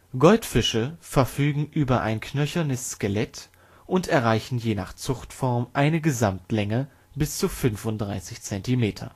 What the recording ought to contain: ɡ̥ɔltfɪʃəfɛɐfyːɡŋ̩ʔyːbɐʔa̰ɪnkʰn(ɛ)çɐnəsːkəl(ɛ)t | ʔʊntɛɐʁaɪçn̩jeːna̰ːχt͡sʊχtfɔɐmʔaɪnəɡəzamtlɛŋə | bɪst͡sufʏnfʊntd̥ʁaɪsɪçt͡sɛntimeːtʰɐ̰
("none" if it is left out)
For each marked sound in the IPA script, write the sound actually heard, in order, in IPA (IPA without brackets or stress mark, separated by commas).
œ, ɛ